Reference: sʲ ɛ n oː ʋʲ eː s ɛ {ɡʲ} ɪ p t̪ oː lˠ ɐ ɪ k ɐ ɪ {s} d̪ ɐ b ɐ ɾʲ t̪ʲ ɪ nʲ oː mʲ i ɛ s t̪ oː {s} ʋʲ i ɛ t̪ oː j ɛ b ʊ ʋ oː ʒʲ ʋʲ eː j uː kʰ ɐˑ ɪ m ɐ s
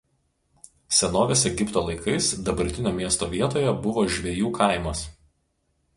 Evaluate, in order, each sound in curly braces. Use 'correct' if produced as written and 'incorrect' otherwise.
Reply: correct, correct, incorrect: none

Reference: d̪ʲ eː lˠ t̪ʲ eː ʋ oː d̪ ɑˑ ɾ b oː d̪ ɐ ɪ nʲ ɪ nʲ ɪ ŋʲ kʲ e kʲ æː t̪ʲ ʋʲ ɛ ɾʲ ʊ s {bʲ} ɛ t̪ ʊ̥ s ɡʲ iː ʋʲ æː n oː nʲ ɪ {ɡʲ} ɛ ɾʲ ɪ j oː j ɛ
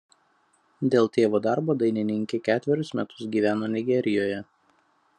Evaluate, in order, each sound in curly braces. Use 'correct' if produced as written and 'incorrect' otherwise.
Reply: incorrect: mʲ, correct

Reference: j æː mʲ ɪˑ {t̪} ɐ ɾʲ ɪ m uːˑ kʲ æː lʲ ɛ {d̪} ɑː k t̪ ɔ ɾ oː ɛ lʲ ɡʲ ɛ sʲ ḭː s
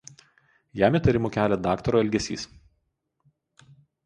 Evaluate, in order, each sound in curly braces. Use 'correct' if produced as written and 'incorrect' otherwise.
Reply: correct, correct

